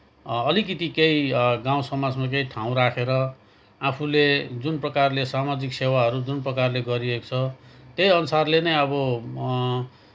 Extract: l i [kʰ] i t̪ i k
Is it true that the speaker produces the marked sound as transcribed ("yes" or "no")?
no